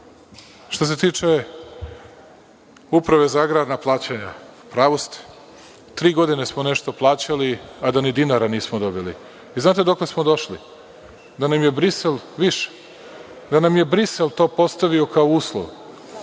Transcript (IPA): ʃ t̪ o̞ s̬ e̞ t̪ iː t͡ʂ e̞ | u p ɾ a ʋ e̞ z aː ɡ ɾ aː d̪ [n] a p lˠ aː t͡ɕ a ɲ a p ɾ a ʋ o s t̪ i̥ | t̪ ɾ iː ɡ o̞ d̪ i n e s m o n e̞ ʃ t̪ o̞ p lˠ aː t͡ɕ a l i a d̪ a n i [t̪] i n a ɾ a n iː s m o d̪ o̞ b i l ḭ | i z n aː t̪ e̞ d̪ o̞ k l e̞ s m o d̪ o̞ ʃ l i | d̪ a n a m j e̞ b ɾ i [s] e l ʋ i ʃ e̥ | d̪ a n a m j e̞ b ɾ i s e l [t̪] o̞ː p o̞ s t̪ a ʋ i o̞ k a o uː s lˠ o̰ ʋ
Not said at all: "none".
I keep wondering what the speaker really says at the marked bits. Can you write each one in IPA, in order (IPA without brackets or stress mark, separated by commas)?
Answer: n, d̪, s, t̪